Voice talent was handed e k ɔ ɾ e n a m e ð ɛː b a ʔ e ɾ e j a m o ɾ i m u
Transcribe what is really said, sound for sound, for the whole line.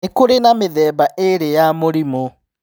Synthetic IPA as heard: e k o ɾ e n a m e ð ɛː b a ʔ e ɾ e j a m o ɾ i m o